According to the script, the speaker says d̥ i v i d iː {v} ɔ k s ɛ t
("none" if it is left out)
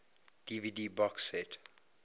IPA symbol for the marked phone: b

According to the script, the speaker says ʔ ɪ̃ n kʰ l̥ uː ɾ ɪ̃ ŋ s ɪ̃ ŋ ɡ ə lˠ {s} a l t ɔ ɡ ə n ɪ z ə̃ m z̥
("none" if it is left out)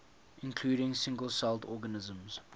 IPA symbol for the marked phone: s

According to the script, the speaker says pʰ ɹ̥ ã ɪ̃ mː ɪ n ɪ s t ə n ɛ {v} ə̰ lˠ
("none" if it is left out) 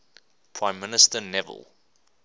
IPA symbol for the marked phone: v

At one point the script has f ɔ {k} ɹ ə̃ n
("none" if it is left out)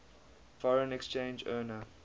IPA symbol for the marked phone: none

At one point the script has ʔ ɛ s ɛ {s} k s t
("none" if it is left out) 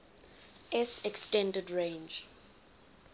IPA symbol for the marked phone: none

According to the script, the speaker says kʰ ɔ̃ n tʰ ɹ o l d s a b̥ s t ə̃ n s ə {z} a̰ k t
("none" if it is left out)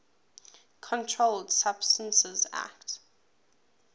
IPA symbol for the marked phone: z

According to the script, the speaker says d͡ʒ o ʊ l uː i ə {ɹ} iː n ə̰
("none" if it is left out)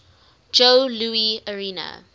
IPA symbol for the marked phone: ɹ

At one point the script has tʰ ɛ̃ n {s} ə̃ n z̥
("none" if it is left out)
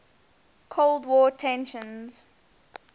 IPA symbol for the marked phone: ʃ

